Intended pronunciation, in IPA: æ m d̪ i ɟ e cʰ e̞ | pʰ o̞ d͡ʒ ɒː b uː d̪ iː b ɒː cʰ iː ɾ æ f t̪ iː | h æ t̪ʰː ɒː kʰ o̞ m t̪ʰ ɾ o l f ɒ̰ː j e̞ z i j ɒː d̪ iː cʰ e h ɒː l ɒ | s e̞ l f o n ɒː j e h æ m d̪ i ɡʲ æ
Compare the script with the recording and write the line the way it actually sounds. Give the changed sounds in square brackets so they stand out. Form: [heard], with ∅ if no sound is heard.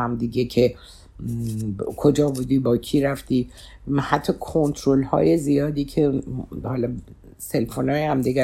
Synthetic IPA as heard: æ m d̪ i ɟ e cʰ e̞ | [kʰ] o̞ d͡ʒ ɒː b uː d̪ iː b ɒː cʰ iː ɾ æ f t̪ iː | h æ t̪ʰː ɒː kʰ o̞ [n] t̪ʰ ɾ o l [h] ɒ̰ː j e̞ z i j ɒː d̪ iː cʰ e h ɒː l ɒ | s e̞ l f o n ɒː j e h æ m d̪ i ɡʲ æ